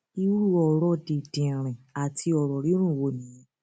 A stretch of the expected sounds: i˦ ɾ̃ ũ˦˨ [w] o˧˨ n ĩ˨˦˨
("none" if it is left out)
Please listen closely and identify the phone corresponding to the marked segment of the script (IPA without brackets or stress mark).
w